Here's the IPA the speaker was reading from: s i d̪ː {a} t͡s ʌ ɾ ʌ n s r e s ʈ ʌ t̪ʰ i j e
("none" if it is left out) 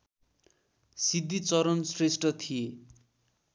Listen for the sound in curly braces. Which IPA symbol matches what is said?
i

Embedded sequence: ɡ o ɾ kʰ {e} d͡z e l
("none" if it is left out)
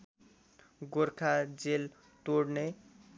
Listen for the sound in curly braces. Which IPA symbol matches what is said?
a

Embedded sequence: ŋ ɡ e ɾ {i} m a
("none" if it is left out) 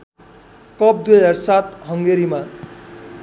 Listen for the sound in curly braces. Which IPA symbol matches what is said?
i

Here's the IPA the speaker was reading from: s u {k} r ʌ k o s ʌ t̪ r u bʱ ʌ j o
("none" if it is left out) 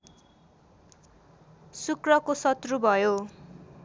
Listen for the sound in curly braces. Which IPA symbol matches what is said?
k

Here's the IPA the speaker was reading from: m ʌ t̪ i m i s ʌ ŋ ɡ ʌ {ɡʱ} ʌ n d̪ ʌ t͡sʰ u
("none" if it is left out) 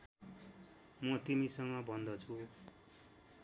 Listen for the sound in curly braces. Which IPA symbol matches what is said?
bʱ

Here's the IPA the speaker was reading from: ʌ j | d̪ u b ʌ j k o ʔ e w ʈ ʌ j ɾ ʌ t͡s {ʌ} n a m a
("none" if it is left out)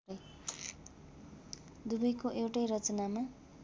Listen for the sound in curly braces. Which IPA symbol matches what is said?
ʌ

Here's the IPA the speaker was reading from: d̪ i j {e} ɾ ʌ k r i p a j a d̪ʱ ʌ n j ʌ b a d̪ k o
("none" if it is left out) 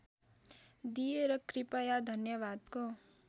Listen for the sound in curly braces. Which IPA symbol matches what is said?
e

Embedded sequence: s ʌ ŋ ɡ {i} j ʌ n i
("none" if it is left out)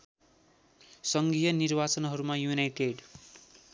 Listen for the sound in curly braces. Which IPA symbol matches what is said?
i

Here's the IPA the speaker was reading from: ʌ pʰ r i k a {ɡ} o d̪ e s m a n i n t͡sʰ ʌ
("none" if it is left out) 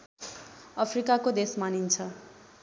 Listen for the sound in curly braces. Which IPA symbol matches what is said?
k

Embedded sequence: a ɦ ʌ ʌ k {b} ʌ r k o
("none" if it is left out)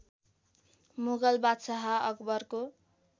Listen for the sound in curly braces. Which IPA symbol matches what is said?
b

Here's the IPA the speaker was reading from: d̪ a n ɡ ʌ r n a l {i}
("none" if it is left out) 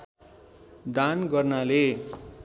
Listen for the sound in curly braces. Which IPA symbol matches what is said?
e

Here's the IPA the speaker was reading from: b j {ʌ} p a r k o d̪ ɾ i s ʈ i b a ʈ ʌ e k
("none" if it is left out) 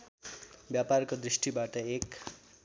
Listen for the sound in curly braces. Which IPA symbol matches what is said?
a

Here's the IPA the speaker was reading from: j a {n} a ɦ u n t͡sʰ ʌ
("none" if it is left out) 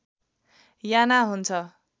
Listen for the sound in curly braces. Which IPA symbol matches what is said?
n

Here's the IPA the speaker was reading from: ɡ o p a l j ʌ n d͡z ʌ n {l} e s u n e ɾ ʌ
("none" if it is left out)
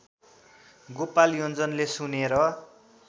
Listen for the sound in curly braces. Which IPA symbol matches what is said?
l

